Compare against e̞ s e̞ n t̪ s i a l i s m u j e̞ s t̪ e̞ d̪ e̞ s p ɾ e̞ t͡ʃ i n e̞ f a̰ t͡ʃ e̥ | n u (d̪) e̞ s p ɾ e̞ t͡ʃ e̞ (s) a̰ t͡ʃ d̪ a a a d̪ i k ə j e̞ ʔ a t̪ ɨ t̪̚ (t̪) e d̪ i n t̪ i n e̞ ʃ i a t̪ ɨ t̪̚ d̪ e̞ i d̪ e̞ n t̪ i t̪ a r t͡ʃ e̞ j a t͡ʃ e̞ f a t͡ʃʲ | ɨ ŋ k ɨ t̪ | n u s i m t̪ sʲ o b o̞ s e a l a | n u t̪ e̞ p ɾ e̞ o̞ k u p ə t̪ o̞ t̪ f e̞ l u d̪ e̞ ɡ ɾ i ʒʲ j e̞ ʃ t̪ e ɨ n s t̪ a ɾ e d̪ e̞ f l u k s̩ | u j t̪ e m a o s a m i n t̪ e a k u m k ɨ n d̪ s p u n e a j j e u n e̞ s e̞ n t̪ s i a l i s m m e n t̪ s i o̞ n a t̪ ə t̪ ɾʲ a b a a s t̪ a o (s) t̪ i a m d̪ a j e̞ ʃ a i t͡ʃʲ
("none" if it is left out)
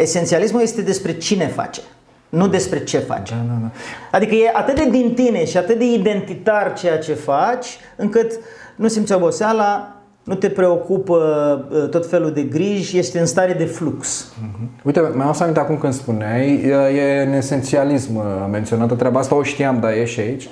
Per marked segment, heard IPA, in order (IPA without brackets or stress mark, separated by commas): d̪, f, d̪, ʃ